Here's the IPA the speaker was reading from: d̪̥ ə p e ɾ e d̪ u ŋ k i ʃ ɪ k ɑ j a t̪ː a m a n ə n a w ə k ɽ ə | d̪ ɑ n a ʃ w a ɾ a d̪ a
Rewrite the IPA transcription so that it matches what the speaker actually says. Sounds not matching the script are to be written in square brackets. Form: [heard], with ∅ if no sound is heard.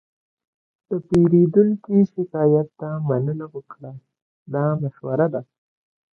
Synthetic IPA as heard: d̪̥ ə p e ɾ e d̪ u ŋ k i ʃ ɪ k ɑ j a t̪ː a m a n ə n a w ə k ɽ [a] | d̪ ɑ [m] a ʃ w a ɾ a d̪ a